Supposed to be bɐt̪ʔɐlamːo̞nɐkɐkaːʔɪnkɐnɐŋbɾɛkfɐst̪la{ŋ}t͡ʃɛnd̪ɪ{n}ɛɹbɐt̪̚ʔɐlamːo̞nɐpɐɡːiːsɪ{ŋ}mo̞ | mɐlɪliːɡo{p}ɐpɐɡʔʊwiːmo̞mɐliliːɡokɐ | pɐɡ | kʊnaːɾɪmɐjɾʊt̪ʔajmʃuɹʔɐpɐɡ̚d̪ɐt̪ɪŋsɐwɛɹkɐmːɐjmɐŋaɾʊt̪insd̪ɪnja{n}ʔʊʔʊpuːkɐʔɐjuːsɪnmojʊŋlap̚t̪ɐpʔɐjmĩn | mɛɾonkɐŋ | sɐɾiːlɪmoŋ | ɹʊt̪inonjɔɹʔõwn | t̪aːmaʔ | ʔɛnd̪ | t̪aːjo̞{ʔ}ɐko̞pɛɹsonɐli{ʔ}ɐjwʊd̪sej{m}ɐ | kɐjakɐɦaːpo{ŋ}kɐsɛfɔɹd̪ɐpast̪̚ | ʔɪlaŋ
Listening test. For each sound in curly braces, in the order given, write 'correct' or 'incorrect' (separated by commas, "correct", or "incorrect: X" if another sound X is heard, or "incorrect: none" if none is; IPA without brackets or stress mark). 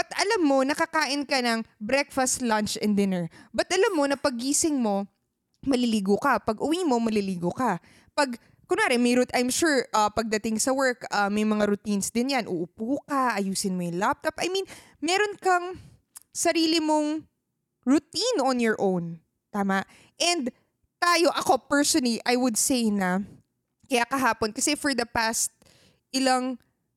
incorrect: n, correct, correct, incorrect: k, correct, correct, correct, incorrect: n, incorrect: n